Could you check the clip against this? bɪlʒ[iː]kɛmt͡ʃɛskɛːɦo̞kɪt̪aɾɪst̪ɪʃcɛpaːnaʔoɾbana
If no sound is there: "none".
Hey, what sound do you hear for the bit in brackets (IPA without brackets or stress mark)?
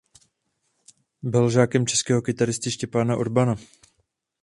aː